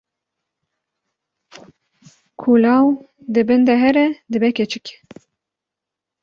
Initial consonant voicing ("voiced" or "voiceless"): voiceless